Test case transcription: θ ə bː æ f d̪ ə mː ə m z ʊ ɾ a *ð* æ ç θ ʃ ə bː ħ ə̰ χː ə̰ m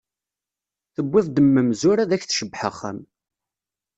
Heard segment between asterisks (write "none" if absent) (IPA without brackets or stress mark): ð